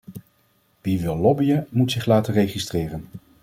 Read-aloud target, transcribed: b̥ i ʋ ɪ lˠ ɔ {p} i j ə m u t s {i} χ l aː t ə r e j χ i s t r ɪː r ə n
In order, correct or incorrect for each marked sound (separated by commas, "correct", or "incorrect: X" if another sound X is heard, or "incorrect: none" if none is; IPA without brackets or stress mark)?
incorrect: b, incorrect: ɪ